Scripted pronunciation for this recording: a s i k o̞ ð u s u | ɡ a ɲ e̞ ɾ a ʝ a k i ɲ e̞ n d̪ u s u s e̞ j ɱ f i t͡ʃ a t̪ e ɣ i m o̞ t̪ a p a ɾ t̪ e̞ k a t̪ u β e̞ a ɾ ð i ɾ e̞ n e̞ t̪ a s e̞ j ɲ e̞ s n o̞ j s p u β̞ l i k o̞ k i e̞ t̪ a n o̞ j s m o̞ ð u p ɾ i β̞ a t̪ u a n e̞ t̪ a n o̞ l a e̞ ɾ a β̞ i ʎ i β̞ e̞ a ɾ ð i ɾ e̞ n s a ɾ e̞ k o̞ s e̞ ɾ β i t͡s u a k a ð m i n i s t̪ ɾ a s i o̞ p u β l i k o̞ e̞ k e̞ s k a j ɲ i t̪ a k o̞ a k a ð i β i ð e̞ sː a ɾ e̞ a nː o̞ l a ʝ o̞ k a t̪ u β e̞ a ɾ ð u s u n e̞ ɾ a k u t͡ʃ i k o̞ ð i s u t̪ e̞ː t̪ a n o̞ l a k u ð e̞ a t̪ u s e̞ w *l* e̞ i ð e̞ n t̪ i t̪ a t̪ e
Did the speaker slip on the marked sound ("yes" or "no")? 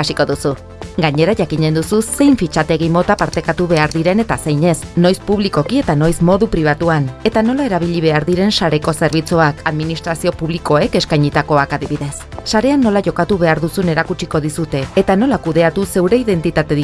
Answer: yes